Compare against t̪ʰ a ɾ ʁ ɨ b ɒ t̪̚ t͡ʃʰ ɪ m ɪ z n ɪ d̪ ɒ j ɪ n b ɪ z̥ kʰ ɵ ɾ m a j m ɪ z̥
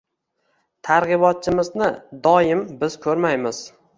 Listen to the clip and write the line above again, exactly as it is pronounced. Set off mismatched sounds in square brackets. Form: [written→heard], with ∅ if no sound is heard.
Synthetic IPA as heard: t̪ʰ a ɾ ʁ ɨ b ɒ t̪̚ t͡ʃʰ ɪ m ɪ z n ɪ d̪ ɒ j ɪ [n→m] b ɪ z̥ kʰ ɵ ɾ m a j m ɪ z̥